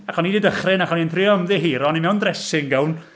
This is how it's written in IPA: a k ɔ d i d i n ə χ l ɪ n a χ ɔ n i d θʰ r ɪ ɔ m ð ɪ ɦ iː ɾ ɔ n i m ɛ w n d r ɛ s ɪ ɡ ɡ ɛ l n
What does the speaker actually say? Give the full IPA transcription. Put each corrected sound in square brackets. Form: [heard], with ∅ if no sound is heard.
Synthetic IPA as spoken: a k ɔ [n] i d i [d] ə χ [r] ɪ n a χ ɔ n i [n] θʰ r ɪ ɔ m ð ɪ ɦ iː ɾ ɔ n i m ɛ w n d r ɛ s ɪ [ŋ] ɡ ɛ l n